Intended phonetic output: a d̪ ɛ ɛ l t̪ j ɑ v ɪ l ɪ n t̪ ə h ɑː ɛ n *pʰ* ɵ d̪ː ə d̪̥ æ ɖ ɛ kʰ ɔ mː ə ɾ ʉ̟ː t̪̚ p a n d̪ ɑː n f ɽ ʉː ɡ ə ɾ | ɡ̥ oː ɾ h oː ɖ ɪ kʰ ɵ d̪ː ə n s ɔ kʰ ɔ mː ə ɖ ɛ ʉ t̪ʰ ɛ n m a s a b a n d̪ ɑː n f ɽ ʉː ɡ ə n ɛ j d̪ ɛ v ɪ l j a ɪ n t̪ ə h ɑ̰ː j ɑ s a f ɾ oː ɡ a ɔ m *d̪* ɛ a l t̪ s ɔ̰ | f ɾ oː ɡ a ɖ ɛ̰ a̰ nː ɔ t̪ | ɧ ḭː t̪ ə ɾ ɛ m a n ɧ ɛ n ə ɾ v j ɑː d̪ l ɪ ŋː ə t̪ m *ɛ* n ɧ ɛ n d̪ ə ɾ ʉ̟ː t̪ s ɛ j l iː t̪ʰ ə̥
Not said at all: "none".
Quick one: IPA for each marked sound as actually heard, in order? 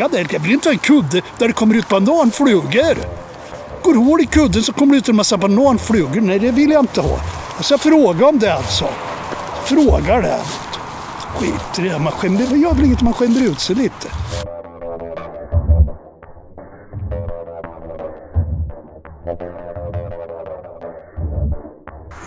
kʰ, d̪, a

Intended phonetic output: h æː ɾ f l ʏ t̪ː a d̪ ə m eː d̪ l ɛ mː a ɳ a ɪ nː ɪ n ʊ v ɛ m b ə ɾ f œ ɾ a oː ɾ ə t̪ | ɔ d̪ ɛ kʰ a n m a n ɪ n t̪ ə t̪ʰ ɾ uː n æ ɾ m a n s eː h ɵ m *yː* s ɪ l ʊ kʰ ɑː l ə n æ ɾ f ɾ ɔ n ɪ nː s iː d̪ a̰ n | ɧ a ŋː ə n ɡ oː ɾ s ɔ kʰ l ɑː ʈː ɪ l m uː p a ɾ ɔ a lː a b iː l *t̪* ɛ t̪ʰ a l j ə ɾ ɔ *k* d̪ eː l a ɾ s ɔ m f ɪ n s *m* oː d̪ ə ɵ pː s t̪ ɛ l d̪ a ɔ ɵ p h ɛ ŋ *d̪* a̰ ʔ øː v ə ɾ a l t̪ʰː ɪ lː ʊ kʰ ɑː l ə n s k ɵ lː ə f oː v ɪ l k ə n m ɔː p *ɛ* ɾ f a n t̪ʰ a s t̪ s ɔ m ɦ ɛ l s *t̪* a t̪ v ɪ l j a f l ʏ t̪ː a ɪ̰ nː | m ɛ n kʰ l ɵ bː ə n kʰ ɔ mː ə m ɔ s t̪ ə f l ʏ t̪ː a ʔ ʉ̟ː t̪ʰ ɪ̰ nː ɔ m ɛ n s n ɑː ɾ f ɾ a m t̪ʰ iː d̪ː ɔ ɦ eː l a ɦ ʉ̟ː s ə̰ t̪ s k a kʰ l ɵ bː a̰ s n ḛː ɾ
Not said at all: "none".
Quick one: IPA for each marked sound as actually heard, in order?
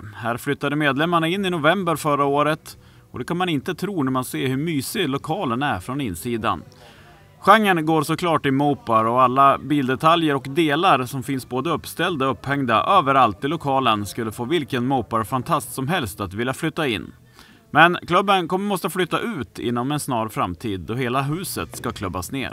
yː, d̪, k, b, d̪, a, t̪

